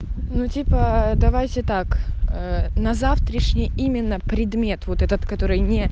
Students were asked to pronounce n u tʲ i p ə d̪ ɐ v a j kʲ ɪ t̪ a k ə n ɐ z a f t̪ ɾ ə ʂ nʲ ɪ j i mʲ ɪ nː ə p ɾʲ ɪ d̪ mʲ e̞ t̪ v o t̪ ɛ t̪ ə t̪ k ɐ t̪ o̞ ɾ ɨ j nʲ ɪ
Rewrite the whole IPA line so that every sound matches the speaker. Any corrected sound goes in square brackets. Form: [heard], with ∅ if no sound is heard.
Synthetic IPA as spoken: n u tʲ i p ə d̪ ɐ v a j [tʲ] ɪ t̪ a k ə n ɐ z a f t̪ ɾ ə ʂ nʲ ɪ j i mʲ ɪ nː ə p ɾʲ ɪ d̪ mʲ e̞ t̪ v o t̪ ɛ t̪ ə t̪ k ɐ t̪ o̞ ɾ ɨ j nʲ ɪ